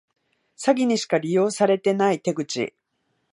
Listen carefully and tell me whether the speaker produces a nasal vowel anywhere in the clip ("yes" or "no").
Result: no